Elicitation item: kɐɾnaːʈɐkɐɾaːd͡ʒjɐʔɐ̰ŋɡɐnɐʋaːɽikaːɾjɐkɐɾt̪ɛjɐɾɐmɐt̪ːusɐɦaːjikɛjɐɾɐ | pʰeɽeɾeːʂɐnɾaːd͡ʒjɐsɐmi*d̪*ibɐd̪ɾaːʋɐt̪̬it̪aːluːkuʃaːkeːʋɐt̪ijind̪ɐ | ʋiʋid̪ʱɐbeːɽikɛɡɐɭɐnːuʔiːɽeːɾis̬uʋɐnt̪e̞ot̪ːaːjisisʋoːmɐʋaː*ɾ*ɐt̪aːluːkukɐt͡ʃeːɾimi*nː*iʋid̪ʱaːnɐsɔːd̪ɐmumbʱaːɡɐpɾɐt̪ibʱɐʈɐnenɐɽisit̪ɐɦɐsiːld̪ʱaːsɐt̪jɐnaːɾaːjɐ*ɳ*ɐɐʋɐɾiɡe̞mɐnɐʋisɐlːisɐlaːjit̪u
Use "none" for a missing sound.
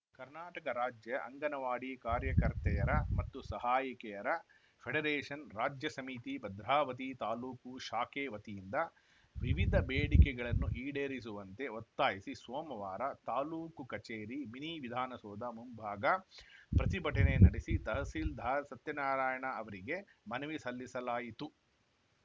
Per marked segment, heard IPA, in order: t̪, ɾ, n, ɳ

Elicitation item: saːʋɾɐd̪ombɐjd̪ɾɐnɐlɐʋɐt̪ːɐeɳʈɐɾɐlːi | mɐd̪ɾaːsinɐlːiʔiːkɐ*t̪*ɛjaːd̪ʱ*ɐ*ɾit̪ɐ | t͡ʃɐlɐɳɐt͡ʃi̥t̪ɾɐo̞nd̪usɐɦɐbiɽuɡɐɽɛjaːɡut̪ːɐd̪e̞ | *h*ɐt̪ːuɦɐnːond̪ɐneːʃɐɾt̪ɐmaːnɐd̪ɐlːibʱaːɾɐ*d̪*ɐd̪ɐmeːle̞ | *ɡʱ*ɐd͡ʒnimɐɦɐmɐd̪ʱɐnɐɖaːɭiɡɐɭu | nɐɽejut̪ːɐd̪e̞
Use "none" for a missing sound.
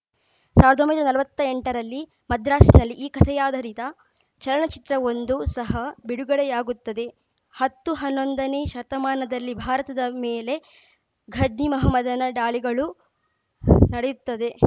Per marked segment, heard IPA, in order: t̪ʰ, ɐ, h, t̪, ɡʱ

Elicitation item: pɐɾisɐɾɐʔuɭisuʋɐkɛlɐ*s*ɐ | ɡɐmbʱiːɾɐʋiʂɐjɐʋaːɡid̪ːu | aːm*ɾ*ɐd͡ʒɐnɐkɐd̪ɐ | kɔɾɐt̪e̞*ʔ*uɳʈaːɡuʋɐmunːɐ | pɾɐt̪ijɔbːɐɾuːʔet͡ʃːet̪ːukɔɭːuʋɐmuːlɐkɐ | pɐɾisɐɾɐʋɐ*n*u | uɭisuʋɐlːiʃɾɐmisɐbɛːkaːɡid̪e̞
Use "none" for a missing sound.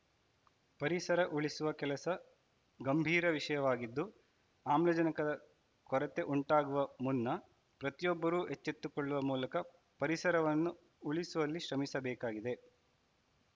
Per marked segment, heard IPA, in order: s, l, ʔ, nː

